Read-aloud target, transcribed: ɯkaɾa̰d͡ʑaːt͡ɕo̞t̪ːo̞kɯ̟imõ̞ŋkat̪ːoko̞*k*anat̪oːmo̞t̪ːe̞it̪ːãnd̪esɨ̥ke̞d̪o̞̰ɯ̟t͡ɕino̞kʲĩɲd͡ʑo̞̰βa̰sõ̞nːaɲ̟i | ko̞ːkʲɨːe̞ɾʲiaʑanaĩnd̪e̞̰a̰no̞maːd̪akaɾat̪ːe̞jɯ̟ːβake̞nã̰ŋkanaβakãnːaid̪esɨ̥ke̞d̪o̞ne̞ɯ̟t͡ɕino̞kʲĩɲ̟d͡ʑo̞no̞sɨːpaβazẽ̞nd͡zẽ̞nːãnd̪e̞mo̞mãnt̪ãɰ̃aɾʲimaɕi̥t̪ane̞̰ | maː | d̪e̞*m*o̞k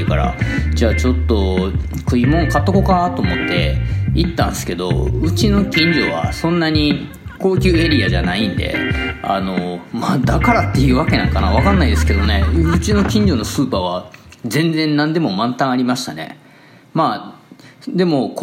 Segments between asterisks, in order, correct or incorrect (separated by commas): correct, correct